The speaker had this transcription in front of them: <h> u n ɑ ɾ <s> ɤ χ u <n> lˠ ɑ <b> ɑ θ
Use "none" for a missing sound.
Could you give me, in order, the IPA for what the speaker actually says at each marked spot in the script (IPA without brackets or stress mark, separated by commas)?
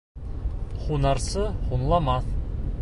χ, s, n, m